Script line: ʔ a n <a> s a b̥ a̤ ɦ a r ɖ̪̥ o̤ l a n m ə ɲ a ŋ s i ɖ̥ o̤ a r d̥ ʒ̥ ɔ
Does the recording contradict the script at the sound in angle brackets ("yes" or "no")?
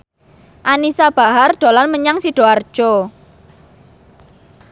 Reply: yes